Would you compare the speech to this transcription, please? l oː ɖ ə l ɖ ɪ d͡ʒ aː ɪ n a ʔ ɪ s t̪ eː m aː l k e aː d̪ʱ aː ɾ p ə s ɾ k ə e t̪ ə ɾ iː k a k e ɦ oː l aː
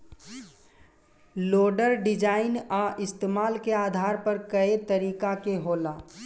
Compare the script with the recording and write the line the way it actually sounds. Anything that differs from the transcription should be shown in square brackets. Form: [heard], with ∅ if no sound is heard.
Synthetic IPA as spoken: l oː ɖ ə [ɾ] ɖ ɪ d͡ʒ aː ɪ n a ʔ ɪ s t̪ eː m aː l k e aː d̪ʱ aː ɾ p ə [∅] ɾ k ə e t̪ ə ɾ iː k a k e ɦ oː l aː